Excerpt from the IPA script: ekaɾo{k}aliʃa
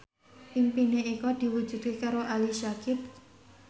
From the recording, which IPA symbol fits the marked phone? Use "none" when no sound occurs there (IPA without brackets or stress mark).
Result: ʔ